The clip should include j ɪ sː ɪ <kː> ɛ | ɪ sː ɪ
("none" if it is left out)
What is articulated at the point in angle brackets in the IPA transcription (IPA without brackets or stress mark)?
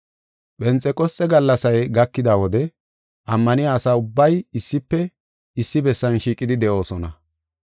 pː